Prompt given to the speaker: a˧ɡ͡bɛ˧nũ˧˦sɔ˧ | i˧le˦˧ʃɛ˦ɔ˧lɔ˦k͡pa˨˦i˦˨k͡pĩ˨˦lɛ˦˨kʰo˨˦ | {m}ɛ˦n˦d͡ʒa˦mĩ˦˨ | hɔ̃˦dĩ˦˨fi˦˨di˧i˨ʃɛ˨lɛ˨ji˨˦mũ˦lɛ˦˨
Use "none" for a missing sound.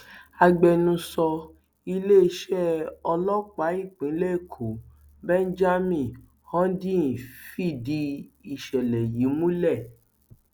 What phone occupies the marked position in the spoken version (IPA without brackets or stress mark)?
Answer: b